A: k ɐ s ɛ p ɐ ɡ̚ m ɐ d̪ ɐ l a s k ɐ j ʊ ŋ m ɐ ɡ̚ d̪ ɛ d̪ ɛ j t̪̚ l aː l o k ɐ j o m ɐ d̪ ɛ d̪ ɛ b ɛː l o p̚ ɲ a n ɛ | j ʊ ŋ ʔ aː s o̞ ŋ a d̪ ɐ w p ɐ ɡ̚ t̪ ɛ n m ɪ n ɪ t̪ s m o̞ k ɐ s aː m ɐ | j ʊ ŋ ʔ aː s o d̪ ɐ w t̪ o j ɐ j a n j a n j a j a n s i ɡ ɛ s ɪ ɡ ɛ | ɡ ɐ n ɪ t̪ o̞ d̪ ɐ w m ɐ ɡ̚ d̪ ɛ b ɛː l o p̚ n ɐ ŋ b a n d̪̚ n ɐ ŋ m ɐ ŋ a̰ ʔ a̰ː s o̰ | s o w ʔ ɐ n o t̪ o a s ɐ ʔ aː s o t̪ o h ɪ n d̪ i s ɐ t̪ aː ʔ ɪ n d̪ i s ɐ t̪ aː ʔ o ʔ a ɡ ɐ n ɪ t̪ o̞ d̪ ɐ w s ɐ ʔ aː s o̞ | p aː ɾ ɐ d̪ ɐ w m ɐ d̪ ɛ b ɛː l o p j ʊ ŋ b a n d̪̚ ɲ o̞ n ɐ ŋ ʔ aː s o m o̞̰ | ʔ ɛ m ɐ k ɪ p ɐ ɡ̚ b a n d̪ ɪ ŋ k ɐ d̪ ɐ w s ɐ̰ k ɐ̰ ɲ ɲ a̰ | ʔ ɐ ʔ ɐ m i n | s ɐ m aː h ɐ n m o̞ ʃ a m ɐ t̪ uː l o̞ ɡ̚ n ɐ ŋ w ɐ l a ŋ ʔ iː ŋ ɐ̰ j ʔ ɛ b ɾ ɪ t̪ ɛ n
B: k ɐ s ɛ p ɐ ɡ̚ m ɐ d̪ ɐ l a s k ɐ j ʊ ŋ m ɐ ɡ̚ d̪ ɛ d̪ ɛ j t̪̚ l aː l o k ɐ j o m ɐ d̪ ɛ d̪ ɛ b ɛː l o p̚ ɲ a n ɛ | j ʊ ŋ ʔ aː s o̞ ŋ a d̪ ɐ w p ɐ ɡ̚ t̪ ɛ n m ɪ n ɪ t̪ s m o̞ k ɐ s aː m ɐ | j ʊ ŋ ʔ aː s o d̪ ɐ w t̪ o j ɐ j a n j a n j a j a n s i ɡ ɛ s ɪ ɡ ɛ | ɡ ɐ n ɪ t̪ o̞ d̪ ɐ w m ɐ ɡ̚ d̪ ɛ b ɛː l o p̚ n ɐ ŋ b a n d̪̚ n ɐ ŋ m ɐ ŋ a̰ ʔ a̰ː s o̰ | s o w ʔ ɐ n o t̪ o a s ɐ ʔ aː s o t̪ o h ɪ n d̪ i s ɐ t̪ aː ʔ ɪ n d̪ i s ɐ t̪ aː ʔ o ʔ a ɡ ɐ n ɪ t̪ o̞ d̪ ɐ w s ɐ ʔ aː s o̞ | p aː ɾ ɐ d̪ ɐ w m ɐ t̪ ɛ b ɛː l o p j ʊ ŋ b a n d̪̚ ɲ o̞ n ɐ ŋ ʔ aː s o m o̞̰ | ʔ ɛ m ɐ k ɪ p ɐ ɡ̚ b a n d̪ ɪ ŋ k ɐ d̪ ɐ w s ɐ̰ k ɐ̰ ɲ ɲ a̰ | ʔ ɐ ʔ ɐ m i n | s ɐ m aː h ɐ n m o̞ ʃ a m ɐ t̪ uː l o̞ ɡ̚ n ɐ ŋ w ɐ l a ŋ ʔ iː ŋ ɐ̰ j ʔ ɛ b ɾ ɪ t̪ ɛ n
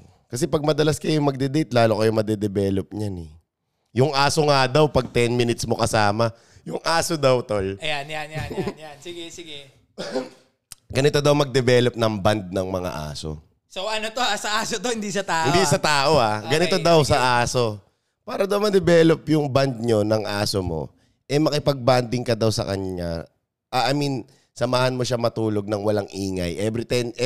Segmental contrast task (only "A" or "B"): A